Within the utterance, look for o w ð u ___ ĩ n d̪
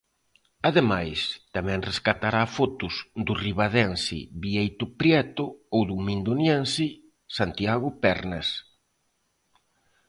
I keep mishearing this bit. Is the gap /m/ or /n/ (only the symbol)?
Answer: m